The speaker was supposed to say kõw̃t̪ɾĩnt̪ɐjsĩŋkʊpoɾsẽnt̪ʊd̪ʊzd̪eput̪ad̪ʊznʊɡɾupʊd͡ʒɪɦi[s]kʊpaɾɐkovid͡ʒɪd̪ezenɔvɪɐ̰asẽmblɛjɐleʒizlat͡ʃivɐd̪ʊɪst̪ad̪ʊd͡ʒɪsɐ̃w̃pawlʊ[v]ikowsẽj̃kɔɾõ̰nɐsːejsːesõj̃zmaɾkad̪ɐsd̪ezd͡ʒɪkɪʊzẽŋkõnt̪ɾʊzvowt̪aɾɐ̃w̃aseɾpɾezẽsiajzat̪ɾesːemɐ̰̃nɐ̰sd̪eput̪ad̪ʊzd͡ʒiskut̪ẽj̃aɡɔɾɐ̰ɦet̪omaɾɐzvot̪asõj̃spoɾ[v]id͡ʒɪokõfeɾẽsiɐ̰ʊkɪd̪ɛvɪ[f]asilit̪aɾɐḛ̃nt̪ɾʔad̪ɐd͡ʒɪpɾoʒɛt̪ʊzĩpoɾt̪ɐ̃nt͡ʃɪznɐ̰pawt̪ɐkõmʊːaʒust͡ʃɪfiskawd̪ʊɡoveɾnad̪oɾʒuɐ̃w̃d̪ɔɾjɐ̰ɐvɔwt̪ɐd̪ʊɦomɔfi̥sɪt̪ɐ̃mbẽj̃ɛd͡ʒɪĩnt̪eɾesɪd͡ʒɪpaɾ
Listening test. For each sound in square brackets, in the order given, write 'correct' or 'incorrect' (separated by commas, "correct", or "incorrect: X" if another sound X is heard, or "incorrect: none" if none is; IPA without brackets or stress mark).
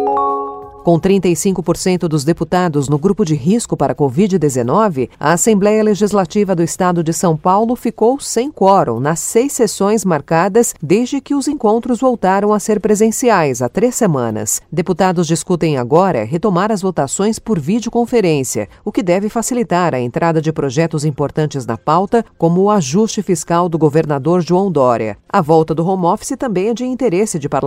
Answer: correct, incorrect: f, correct, correct